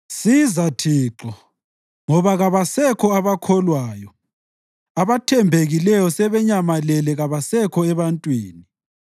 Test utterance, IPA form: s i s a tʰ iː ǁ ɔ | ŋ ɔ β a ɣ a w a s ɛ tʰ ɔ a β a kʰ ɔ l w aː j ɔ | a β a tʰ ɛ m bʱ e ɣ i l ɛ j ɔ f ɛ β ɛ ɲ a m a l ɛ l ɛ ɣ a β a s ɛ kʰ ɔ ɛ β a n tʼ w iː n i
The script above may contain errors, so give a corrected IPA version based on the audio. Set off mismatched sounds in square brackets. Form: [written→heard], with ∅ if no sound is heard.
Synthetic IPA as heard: s i [s→z] a tʰ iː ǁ ɔ | ŋ ɔ β a ɣ a [w→β] a s ɛ [tʰ→kʰ] ɔ a β a kʰ ɔ l w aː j ɔ | a β a tʰ ɛ m bʱ e ɣ i l ɛ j ɔ [f→s] ɛ β ɛ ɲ a m a l ɛ l ɛ ɣ a β a s ɛ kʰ ɔ ɛ β a n tʼ w iː n i